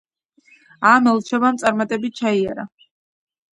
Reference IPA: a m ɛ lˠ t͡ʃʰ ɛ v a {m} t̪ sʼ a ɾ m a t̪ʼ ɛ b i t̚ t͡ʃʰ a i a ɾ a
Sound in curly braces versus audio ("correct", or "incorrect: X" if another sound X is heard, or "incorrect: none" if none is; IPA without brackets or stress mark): correct